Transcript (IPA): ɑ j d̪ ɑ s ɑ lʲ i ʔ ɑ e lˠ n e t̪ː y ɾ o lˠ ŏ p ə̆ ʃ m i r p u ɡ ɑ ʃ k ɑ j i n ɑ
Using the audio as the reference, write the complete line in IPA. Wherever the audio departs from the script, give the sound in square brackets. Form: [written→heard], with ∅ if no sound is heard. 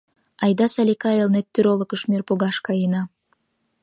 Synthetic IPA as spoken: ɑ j d̪ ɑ s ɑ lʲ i [ʔ→k] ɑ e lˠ n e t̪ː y ɾ o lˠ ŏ [p→k] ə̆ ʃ m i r p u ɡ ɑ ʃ k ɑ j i n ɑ